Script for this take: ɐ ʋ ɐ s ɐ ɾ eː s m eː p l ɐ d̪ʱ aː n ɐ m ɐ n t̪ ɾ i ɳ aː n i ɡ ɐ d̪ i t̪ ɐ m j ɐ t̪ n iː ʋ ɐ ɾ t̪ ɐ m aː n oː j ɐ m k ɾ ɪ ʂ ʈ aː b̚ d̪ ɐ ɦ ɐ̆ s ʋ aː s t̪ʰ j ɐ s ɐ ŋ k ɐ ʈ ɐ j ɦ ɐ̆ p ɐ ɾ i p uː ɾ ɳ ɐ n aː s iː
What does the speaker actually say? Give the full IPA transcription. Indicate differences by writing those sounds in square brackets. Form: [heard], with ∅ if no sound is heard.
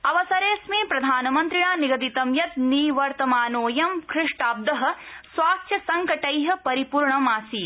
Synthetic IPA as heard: ɐ ʋ ɐ s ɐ ɾ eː s m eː p [ɾ] ɐ d̪ʱ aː n ɐ m ɐ n t̪ ɾ i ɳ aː n i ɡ ɐ d̪ i t̪ ɐ m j ɐ t̪ n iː ʋ ɐ ɾ t̪ ɐ m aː n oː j ɐ m k ɾ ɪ ʂ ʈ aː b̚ d̪ ɐ ɦ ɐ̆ s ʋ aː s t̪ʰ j ɐ s ɐ ŋ k ɐ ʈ ɐ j ɦ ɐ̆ p ɐ ɾ i p uː ɾ ɳ ɐ [m] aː s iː